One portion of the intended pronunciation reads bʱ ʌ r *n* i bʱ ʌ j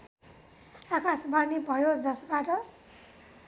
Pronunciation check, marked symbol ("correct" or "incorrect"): correct